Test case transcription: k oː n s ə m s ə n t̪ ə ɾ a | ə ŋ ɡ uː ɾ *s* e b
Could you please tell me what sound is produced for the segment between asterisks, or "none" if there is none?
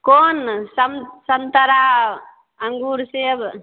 s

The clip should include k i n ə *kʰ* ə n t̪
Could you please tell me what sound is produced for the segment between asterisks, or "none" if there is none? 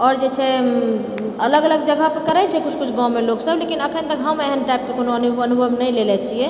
kʰ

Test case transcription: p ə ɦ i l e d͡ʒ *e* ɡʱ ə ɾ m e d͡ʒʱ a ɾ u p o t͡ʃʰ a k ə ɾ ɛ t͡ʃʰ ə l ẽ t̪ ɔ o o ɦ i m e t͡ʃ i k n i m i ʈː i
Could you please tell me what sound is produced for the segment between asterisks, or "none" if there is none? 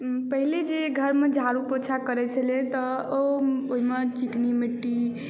e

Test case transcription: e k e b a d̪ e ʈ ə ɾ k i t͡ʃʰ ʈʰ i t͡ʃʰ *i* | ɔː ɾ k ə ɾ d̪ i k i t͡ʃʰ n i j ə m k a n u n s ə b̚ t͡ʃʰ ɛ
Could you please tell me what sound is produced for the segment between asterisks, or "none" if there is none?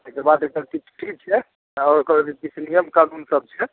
ɛ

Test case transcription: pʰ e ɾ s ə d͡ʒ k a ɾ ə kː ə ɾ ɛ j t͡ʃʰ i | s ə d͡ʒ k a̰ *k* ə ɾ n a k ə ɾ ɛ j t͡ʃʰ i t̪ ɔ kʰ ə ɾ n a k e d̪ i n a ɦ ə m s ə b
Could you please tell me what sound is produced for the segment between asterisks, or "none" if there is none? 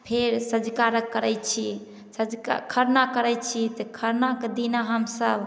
kʰ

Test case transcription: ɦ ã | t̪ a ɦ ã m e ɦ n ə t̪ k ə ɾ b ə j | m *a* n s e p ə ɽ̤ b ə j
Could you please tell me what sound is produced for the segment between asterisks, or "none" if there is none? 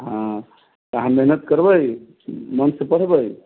ə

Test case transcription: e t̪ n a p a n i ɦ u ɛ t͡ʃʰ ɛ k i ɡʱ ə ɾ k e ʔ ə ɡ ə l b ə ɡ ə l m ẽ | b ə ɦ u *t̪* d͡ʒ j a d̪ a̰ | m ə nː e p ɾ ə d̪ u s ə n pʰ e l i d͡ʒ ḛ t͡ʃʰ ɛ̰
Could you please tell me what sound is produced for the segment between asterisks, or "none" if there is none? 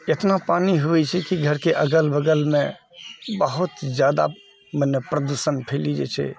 t̪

